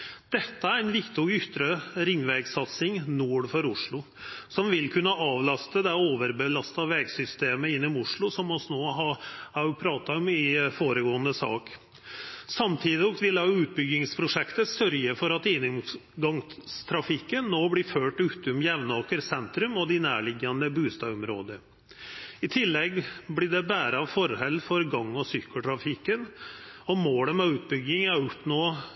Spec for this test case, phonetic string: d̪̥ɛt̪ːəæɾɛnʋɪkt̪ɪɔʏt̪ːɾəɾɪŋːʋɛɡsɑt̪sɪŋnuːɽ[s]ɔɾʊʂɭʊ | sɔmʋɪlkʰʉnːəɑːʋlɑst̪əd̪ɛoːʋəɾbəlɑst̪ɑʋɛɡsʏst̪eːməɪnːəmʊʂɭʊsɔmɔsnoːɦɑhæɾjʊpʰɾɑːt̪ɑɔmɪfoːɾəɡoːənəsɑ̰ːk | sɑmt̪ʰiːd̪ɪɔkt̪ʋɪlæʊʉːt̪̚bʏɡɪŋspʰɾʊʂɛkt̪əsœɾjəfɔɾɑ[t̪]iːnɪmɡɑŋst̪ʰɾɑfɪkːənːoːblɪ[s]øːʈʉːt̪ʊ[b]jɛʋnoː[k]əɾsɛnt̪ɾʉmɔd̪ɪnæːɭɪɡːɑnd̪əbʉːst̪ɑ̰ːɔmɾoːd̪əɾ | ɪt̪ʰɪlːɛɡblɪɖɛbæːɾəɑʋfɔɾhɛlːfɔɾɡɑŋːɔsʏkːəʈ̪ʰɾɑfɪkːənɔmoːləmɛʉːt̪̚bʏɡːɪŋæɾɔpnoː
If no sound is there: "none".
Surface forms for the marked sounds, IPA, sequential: f, t̪, f, m, k

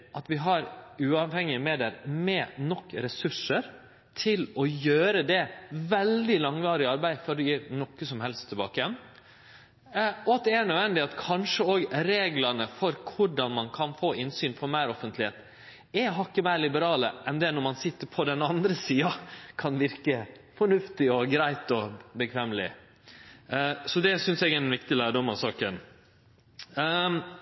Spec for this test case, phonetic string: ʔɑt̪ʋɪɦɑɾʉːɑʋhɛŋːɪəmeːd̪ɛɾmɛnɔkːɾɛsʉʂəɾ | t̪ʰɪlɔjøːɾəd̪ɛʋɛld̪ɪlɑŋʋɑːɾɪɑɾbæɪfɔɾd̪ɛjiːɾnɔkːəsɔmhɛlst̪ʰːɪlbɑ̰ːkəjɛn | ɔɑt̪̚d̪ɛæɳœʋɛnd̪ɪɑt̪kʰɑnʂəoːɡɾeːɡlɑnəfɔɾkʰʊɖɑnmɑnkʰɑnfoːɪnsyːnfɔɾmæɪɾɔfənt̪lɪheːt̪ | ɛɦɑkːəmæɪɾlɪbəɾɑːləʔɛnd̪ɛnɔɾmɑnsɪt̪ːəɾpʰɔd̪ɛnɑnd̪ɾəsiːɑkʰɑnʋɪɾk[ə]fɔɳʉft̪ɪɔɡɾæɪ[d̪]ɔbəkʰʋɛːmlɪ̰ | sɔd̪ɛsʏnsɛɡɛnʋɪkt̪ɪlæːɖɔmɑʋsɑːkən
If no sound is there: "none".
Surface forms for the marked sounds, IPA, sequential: ə, t̪

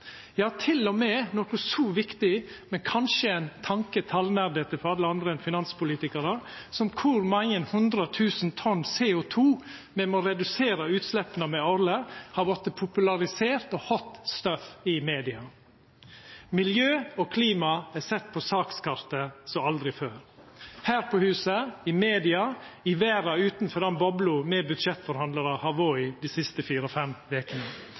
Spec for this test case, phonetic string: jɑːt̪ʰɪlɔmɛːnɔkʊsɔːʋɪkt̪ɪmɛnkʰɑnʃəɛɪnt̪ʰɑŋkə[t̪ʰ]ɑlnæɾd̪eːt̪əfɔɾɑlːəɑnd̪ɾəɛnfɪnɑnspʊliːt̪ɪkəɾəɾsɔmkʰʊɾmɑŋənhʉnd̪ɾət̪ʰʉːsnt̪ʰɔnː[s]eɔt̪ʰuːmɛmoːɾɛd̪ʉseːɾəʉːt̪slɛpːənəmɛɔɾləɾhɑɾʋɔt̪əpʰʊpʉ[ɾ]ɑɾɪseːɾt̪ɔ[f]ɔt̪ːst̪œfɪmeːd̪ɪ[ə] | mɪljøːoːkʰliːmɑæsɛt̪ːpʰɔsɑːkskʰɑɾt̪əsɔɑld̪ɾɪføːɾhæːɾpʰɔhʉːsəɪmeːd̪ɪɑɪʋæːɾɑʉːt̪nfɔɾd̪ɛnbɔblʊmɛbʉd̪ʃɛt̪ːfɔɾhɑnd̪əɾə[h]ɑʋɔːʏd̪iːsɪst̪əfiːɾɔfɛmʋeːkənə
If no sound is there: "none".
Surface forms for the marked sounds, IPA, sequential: t̪ʰ, s, l, h, ɑ, h

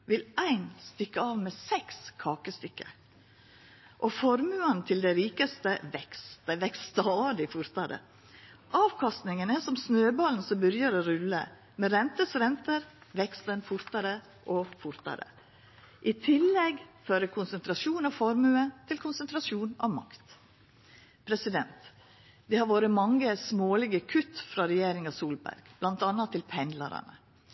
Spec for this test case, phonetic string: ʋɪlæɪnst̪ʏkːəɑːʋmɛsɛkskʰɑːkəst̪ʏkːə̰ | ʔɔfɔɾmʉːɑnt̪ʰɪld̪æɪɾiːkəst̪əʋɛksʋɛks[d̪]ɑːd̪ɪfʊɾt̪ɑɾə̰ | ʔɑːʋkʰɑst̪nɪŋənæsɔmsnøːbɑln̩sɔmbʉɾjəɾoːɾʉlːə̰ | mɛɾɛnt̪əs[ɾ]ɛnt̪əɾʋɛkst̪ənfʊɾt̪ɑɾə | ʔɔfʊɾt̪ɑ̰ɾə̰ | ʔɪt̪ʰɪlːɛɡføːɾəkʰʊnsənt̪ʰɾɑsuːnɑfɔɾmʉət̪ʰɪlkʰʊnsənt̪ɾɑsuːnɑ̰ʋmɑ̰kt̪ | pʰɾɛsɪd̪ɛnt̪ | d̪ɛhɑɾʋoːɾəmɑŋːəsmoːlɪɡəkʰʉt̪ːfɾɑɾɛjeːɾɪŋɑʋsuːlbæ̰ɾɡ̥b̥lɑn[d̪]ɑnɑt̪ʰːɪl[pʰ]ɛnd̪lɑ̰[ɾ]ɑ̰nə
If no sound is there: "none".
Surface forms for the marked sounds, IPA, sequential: t̪, ɾ, t̪, pʰ, ɾ

